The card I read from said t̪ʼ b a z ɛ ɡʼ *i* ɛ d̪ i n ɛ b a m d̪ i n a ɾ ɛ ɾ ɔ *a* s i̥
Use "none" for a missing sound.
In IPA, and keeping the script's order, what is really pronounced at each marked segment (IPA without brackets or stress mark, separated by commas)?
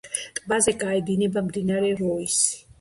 a, i